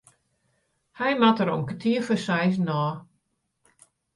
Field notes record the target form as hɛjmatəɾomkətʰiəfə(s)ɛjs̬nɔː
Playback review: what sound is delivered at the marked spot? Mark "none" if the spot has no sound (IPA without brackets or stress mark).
s